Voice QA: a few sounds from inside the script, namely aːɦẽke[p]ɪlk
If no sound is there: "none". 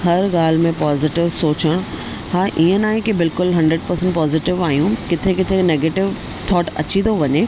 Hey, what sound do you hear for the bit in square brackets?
b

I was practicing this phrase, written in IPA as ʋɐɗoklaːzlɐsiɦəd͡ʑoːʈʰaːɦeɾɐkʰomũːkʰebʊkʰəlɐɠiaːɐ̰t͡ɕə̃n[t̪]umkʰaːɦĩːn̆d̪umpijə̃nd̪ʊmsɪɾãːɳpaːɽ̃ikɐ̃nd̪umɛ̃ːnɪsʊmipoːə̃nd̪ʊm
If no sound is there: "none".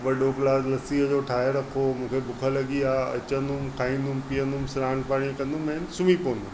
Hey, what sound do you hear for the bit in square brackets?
d̪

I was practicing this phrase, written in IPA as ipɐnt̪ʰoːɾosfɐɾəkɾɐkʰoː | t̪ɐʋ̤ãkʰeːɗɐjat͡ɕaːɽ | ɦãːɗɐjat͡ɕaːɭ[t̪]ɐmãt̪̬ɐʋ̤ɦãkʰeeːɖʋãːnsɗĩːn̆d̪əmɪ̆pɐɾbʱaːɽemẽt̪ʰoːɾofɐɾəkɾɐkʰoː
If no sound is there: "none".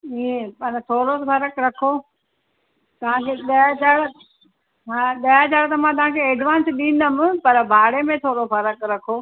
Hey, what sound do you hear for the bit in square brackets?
t̪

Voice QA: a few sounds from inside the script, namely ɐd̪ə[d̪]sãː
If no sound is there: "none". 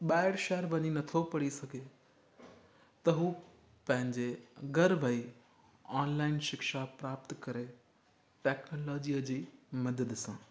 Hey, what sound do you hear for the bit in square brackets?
d̪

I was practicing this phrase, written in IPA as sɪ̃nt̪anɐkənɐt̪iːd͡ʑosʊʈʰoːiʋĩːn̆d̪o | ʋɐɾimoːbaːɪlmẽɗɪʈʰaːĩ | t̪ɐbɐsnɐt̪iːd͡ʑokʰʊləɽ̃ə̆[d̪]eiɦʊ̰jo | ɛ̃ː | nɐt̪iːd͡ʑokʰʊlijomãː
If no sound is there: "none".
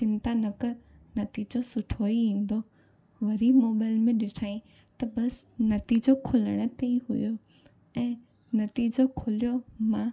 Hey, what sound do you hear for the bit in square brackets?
t̪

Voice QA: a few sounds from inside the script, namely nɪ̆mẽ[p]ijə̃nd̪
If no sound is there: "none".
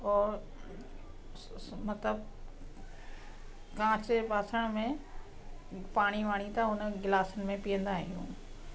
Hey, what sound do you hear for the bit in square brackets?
p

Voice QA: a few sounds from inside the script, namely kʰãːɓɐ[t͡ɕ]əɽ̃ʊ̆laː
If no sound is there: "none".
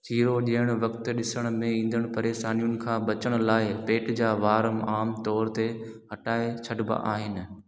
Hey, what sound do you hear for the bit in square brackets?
t͡ɕ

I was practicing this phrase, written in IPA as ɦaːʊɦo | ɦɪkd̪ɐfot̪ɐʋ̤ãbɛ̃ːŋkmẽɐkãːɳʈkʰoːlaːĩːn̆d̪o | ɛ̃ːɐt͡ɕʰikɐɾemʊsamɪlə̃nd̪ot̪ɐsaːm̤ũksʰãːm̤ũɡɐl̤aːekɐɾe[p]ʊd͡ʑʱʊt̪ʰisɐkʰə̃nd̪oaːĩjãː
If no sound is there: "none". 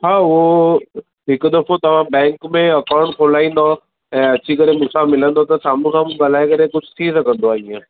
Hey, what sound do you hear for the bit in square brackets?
k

